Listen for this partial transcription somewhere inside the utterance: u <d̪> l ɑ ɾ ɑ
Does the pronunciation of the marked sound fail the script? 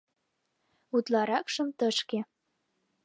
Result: yes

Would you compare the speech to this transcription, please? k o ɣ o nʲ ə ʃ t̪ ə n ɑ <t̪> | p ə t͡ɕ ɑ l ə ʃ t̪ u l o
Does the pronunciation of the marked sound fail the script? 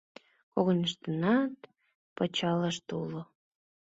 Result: no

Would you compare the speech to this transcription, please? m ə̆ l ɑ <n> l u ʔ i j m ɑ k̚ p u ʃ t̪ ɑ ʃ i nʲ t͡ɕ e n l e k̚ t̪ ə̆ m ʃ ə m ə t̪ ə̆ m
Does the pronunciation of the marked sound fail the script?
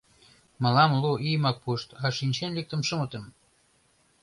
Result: yes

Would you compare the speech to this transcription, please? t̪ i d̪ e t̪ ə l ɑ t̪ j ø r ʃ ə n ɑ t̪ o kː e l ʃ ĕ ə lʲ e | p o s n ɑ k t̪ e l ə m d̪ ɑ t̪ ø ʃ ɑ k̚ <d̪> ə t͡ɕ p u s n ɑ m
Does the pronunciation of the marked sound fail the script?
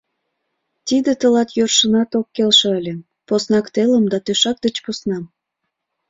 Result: no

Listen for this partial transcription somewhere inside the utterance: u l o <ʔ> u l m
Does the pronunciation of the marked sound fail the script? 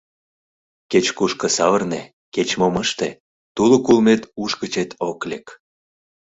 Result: yes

